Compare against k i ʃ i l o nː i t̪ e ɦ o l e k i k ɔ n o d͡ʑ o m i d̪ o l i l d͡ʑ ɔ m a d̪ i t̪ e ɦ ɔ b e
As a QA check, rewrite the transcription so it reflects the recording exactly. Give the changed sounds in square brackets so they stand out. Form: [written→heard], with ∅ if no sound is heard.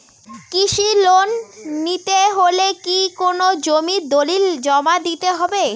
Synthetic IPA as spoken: k i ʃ i l o nː i t̪ e ɦ o l e k i k [ɔ→o] n o d͡ʑ o m i d̪ o l i l d͡ʑ ɔ m a d̪ i t̪ e ɦ ɔ b e